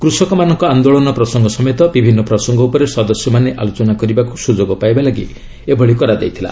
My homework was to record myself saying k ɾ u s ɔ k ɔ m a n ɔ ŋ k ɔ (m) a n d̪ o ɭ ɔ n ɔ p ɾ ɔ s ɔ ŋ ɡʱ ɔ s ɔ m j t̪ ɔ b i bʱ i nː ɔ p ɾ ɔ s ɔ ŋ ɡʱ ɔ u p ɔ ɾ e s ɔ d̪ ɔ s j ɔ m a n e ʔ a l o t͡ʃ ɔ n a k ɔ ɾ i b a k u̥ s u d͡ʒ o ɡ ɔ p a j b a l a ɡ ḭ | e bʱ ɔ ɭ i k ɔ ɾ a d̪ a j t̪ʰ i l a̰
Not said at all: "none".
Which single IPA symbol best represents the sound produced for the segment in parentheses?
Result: none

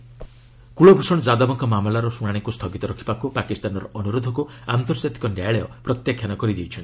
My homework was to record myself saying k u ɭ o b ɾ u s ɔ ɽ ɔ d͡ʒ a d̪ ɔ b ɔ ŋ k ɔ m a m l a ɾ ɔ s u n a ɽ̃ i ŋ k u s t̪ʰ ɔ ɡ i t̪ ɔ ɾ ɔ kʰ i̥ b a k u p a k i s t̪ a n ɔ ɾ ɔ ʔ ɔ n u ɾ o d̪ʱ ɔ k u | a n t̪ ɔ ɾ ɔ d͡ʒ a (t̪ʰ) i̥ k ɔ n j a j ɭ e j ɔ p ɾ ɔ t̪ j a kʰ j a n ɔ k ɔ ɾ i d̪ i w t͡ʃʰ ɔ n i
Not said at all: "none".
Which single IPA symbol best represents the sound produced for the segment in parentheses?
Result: t̪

